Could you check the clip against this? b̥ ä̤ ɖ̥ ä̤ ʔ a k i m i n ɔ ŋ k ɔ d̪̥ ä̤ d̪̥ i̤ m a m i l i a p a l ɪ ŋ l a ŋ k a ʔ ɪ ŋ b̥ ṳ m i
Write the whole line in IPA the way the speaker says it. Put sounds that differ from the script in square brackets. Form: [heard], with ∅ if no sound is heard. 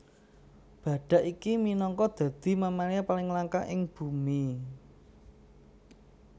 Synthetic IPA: b̥ ä̤ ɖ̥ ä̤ ʔ [i] k i m i n ɔ ŋ k ɔ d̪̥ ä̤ d̪̥ i̤ m a m [a] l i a p a l ɪ ŋ l a ŋ k a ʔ ɪ ŋ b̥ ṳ m i